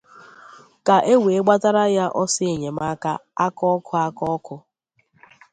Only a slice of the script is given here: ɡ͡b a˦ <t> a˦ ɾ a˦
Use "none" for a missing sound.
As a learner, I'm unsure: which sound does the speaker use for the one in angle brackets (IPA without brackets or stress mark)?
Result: t